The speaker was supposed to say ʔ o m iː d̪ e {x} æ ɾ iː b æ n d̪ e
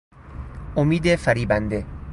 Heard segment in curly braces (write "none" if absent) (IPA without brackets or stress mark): f